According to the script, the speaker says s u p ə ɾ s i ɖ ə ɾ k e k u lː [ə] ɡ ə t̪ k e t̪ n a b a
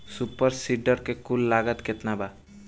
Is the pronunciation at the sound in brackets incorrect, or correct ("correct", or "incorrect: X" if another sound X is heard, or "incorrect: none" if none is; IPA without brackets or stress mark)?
incorrect: a